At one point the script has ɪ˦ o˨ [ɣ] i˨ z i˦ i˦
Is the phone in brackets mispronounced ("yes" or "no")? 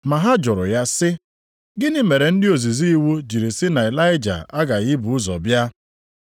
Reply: yes